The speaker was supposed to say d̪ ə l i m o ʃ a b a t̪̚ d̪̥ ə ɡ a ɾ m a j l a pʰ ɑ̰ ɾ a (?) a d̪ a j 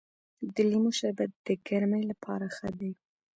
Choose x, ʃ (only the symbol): x